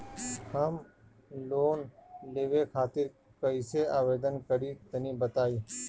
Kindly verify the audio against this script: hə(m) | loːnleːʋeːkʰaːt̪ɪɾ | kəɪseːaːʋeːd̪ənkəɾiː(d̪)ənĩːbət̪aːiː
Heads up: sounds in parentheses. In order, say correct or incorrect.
correct, incorrect: t̪

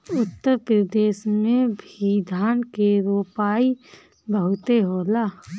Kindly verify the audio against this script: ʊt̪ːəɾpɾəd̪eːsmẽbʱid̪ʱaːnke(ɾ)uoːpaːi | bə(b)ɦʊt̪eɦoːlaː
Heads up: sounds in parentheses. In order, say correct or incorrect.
correct, incorrect: none

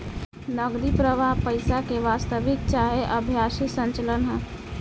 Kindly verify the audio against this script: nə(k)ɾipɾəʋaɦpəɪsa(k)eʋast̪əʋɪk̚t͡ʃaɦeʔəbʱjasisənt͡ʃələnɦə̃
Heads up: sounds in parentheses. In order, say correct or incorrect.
incorrect: ɡ, correct

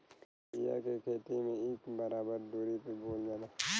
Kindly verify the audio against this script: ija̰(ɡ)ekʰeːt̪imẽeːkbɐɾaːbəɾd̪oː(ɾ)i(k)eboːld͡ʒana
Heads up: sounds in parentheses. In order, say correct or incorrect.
incorrect: k, correct, incorrect: p

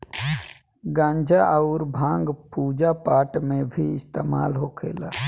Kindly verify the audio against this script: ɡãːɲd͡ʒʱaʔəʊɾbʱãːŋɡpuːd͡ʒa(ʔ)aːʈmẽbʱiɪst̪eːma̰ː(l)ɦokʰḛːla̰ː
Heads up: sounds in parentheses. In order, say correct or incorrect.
incorrect: p, correct

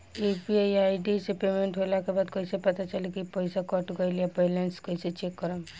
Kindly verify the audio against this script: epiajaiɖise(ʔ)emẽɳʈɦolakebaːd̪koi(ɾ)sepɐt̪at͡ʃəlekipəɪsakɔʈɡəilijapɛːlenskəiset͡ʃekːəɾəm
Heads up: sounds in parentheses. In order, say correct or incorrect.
incorrect: p, incorrect: none

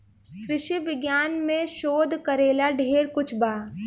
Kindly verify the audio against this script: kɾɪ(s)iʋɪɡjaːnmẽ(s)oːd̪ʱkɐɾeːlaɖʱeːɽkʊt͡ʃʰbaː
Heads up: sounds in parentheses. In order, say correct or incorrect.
incorrect: ʃ, incorrect: ʃ

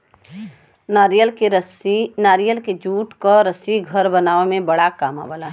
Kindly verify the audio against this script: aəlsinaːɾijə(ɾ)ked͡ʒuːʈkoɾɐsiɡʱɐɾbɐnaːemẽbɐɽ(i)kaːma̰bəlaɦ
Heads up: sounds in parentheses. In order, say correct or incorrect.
incorrect: l, incorrect: a

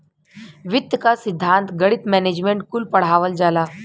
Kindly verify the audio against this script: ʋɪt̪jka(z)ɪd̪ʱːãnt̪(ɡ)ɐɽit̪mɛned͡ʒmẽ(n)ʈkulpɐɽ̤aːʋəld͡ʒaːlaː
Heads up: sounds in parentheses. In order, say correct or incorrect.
incorrect: s, correct, incorrect: ɳ

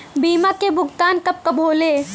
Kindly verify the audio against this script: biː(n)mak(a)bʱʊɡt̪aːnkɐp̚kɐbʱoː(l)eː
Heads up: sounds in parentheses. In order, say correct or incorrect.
incorrect: none, incorrect: e, correct

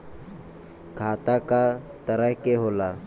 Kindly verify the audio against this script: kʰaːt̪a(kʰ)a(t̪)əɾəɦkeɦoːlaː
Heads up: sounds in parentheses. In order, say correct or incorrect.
incorrect: k, correct

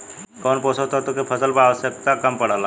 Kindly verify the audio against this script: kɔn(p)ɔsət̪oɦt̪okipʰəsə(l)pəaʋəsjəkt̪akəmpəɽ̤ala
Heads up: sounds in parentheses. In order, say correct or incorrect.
correct, correct

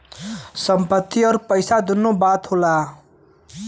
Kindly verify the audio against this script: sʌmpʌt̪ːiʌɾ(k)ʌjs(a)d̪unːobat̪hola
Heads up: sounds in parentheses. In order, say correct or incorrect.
incorrect: p, correct

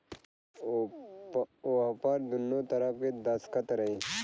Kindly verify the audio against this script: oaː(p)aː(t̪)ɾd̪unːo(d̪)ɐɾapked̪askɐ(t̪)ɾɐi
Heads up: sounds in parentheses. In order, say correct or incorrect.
correct, incorrect: none, incorrect: t̪, correct

